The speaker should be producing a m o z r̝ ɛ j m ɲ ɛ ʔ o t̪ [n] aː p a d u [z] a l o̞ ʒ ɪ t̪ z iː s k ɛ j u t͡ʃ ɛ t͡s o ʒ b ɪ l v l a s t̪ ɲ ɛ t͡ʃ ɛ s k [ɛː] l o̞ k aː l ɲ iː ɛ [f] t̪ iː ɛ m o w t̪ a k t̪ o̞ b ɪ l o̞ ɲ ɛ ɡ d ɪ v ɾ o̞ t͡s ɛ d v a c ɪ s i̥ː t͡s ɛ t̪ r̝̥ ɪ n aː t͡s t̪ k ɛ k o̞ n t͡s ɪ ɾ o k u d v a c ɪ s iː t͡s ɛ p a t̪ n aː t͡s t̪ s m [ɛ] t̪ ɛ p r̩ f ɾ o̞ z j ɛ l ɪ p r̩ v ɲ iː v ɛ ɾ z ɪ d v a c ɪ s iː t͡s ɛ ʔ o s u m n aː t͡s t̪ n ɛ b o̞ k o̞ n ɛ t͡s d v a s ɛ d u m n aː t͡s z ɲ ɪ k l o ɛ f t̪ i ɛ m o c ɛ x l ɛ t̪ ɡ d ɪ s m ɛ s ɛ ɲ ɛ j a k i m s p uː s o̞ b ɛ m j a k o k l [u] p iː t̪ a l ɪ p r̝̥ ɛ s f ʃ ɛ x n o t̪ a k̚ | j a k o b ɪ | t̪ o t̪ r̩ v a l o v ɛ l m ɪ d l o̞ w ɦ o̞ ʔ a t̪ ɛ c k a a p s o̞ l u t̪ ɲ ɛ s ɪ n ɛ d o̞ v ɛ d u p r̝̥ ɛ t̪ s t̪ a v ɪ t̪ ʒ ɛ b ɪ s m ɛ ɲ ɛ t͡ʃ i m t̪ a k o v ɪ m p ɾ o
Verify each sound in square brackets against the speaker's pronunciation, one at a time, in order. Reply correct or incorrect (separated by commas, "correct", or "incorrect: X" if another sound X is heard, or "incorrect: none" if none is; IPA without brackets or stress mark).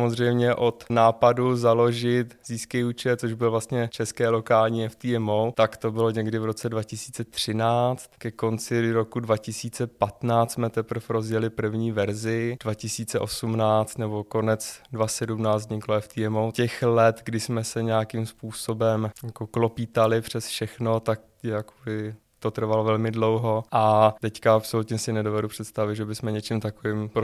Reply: correct, correct, correct, correct, correct, incorrect: o